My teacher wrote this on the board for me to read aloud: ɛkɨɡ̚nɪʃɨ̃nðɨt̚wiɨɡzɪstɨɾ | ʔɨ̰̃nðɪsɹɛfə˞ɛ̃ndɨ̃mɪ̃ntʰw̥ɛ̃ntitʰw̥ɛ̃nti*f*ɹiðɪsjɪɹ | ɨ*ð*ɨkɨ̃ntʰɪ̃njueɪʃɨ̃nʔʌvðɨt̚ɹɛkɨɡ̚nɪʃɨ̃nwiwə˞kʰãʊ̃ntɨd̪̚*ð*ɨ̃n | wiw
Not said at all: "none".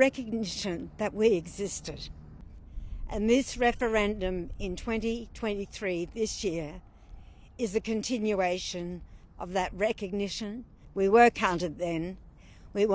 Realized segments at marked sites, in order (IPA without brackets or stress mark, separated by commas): θ, z, ð